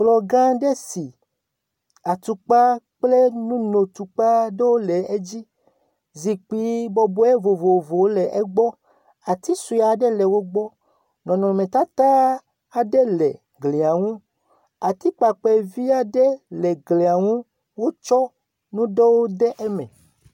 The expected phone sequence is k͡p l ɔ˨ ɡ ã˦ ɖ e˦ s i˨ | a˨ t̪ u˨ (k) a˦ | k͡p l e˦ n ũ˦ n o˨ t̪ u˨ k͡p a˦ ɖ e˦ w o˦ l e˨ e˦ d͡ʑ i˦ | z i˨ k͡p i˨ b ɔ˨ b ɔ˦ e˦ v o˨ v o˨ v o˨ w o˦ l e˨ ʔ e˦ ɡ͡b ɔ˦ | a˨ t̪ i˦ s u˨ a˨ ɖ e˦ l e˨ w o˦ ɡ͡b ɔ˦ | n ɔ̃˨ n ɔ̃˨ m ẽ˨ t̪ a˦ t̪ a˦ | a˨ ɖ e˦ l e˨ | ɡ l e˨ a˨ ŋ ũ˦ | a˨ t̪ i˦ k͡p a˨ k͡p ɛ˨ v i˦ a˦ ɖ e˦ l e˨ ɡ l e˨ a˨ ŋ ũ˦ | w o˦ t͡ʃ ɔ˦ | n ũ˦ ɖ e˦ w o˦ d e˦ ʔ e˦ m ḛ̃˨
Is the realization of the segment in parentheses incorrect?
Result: yes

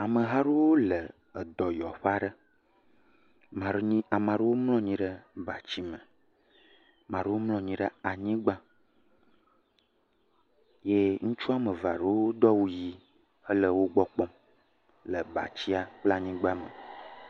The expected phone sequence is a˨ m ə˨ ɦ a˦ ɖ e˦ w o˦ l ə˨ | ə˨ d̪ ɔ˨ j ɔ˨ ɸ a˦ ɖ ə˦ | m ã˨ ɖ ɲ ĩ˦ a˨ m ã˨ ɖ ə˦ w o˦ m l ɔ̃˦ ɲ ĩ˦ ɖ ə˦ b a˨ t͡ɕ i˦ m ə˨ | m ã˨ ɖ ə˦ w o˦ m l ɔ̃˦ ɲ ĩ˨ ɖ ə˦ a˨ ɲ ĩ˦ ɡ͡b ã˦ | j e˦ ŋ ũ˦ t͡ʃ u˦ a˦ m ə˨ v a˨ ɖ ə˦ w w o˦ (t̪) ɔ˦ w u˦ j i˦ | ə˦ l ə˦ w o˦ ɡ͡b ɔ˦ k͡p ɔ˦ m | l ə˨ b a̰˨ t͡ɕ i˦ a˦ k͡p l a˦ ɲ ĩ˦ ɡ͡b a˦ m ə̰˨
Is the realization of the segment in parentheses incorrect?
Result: yes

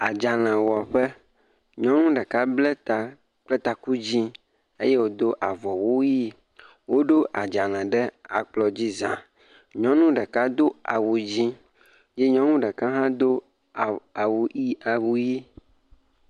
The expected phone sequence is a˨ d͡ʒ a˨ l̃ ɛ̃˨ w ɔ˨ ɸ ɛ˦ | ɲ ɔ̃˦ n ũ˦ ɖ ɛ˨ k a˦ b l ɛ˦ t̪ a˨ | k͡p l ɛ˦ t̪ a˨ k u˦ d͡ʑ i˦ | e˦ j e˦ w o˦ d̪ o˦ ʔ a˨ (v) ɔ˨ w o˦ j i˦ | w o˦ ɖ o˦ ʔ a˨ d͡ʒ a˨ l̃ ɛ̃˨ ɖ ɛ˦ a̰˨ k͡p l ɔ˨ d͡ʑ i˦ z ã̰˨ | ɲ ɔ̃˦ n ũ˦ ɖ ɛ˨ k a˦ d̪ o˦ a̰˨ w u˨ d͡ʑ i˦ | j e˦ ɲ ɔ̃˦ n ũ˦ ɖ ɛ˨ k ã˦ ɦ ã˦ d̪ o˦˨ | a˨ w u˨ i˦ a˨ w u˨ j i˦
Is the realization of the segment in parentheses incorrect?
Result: no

